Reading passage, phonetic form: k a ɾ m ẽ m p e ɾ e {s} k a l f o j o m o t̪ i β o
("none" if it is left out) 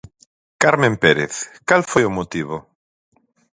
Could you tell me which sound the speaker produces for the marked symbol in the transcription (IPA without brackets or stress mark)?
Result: θ